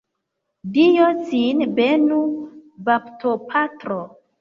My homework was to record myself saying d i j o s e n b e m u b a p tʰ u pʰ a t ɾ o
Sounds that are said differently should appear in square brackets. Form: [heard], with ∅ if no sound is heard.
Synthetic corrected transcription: d i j o s [i] n b e [n] u b a p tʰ [o] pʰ a t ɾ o